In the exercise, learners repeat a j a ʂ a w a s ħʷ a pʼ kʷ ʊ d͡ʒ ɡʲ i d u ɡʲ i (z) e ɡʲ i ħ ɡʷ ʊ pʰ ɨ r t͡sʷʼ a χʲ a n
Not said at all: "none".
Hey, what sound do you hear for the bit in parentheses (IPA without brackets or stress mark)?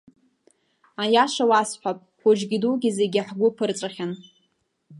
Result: z